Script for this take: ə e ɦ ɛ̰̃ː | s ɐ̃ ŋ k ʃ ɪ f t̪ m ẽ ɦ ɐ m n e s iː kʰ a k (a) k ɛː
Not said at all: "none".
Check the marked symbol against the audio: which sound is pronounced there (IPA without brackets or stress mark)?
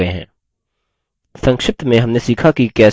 i